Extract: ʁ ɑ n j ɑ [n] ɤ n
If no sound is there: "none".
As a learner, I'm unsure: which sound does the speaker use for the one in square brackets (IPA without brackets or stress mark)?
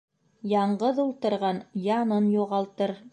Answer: n